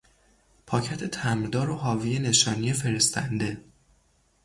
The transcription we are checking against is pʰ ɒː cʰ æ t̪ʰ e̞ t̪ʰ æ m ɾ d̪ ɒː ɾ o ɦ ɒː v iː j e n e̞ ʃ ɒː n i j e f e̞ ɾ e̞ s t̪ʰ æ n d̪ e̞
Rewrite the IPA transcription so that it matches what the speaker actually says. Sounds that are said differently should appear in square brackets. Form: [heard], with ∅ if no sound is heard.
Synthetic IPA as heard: pʰ ɒː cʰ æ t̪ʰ e̞ t̪ʰ æ m ɾ d̪ ɒː ɾ o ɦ ɒː v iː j e n e̞ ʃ ɒː n i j e f e̞ ɾ e̞ s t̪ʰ æ n d̪ e̞